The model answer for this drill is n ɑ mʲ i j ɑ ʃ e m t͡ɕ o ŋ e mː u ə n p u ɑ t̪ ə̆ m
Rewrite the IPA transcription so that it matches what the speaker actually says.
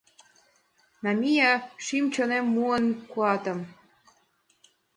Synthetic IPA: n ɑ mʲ i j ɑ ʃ i m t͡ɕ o n e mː u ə n k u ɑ t̪ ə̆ m